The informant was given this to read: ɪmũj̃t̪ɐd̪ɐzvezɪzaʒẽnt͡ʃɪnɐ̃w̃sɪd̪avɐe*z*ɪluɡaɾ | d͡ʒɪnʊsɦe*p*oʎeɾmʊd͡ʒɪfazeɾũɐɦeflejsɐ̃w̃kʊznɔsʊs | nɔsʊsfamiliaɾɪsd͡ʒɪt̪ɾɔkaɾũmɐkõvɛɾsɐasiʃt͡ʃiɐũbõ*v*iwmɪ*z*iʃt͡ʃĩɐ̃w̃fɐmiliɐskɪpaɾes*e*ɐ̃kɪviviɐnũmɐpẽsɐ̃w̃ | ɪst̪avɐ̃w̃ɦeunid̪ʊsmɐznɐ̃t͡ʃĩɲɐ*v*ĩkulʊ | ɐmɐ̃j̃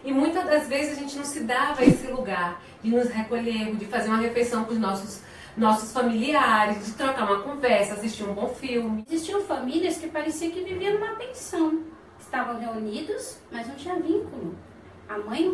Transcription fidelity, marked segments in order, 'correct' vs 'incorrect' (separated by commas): incorrect, incorrect, incorrect, correct, incorrect, correct